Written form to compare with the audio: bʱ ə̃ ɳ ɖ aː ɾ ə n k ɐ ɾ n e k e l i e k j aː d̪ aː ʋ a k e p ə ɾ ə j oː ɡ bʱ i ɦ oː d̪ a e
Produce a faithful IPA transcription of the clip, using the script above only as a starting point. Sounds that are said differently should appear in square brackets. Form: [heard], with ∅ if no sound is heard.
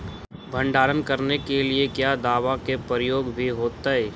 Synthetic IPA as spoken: bʱ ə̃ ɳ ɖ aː ɾ ə n k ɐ ɾ n e k e l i e k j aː d̪ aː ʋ a k e p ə ɾ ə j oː ɡ bʱ i ɦ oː [t̪] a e